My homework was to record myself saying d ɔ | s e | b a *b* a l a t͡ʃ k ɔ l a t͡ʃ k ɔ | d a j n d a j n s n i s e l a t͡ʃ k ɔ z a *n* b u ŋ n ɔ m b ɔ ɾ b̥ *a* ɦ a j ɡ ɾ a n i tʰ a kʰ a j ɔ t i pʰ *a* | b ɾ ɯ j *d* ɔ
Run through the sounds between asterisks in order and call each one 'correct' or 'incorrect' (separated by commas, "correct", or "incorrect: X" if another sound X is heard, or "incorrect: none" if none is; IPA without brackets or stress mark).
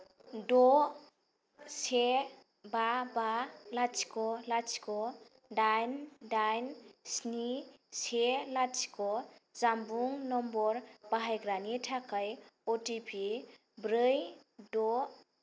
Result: correct, incorrect: m, correct, incorrect: i, correct